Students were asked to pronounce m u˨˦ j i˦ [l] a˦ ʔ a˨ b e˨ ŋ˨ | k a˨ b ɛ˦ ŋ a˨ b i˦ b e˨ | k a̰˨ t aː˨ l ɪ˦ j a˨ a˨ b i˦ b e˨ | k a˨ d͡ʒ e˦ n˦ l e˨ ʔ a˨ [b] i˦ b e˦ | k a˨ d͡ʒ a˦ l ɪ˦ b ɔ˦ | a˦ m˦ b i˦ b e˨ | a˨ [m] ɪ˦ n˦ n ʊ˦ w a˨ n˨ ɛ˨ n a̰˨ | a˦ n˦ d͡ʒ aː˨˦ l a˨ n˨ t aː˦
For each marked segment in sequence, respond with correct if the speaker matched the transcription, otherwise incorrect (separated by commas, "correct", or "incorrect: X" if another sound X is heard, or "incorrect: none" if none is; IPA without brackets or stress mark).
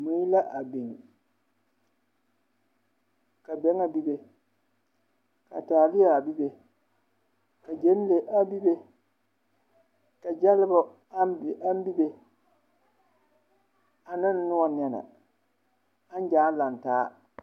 correct, correct, incorrect: n